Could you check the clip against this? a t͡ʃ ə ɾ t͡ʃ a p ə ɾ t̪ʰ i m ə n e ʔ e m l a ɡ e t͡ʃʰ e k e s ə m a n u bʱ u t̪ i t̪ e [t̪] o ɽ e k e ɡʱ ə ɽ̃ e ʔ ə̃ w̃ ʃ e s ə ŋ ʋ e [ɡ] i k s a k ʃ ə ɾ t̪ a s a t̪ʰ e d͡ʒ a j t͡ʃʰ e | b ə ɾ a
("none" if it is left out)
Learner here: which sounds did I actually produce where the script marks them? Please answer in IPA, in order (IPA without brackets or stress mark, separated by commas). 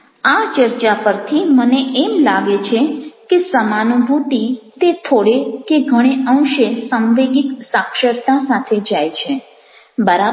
t̪ʰ, ɡ